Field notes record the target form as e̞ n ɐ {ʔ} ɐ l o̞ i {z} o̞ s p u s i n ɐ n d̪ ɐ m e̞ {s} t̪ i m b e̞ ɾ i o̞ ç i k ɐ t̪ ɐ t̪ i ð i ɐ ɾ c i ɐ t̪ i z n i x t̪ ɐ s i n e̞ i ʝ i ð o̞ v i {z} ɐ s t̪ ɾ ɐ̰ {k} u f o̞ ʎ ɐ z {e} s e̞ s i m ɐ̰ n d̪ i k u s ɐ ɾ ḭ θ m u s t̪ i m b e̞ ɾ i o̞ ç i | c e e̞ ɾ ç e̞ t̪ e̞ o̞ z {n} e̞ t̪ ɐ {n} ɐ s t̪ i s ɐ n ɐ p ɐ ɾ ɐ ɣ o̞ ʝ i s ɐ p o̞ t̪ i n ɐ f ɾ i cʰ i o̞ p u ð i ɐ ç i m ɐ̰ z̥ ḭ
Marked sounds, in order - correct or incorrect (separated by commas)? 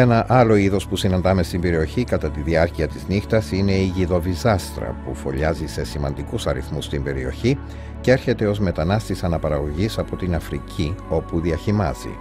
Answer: correct, incorrect, correct, correct, incorrect, incorrect, incorrect, correct